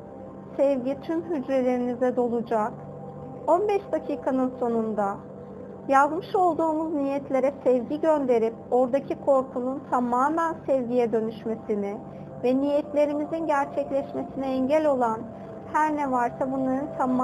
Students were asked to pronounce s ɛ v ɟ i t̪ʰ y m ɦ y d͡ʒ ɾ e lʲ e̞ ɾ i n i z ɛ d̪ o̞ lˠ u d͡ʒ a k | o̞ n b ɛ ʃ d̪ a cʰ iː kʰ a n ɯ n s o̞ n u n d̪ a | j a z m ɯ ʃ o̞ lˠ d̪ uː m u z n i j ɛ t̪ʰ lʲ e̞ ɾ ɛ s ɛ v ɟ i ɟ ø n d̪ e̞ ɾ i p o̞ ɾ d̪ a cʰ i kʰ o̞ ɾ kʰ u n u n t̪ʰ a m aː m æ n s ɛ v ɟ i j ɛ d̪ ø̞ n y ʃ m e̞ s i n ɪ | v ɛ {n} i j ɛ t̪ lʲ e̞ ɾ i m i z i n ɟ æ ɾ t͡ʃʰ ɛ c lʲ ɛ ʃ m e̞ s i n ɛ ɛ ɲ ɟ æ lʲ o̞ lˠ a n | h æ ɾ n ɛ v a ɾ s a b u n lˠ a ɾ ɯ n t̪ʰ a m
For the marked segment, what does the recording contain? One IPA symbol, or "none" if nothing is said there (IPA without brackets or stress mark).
n